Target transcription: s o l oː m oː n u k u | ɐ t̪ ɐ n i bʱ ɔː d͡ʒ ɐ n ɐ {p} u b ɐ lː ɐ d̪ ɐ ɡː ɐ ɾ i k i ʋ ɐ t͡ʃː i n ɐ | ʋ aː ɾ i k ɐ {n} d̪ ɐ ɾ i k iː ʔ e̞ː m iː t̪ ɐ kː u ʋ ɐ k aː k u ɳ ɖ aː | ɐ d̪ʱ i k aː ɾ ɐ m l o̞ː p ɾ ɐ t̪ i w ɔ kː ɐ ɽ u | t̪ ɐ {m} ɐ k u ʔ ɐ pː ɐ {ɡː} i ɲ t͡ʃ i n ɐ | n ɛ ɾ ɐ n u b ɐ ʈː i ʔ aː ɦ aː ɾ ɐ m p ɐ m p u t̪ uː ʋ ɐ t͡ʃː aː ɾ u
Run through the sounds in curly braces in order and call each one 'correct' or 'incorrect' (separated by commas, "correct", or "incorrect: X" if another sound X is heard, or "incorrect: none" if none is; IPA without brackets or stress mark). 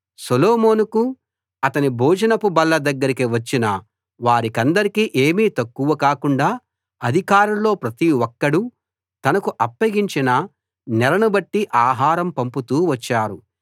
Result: correct, correct, incorrect: n, incorrect: ɡ